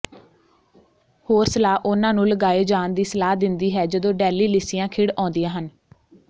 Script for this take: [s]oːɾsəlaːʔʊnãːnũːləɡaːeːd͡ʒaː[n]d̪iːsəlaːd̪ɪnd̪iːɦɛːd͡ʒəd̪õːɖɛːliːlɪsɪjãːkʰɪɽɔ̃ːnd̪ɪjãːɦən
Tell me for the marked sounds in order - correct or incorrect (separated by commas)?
incorrect, correct